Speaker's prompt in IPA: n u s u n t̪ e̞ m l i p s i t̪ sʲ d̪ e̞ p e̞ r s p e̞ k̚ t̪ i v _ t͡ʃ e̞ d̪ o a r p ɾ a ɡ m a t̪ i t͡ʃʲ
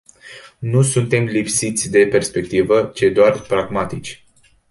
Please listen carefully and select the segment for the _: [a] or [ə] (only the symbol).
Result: ə